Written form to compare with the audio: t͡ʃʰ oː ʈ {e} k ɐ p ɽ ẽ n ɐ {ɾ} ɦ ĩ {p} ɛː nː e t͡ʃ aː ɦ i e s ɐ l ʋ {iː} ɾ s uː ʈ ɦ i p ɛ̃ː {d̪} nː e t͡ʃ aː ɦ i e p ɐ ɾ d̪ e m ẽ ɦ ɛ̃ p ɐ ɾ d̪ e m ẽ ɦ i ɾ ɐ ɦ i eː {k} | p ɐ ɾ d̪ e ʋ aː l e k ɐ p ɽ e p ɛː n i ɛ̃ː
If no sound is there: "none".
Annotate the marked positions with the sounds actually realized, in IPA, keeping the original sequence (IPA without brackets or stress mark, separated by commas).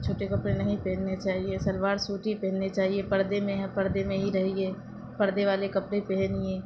e, none, p, aː, none, none